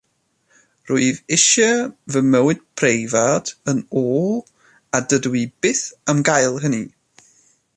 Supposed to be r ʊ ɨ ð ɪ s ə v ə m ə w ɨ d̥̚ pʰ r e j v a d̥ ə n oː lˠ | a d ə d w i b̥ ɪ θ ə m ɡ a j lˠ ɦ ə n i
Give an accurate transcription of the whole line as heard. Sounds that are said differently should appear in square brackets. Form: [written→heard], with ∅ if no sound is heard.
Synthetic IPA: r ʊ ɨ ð ɪ [s→ʃ] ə v ə m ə w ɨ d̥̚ pʰ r e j v a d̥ ə n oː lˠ | a d ə d w i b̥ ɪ θ ə m ɡ a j lˠ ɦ ə n i